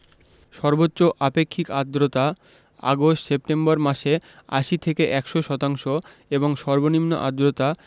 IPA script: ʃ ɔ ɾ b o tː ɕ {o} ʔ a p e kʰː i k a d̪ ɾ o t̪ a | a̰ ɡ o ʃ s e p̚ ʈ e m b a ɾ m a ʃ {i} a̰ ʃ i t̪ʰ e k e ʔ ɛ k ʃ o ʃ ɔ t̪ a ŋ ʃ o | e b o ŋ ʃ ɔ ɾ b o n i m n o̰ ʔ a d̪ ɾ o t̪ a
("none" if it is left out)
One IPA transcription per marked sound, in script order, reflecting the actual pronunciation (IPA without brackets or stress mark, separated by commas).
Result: o, e